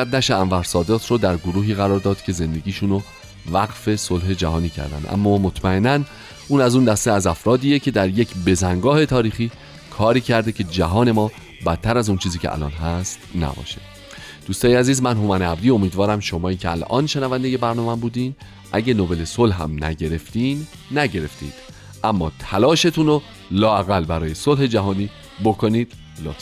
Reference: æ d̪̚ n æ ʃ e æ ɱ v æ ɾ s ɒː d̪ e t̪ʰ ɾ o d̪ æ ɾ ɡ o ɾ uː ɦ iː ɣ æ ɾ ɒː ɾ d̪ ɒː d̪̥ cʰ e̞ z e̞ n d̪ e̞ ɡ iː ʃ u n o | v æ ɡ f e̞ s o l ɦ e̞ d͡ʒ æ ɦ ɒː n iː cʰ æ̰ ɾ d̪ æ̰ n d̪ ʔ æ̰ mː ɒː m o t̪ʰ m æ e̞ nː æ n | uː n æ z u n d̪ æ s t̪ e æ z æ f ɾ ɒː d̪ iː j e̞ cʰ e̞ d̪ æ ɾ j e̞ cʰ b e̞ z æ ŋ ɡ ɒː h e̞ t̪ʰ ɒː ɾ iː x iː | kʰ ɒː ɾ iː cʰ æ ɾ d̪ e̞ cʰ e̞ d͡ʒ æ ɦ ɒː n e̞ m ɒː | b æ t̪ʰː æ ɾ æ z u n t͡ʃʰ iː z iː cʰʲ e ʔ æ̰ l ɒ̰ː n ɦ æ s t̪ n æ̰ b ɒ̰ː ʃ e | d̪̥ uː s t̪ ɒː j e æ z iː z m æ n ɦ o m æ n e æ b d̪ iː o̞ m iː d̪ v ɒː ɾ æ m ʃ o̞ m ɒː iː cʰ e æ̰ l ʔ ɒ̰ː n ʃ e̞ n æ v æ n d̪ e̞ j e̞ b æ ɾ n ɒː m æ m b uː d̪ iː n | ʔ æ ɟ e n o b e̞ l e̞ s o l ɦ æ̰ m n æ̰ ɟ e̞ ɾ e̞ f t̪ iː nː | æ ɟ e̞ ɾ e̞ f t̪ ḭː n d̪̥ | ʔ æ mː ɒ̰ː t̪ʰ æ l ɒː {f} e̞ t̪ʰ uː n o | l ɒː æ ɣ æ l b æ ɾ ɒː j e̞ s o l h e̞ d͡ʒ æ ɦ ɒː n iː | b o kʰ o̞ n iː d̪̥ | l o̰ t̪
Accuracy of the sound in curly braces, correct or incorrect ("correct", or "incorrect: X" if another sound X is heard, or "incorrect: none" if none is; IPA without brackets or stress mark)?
incorrect: ʃ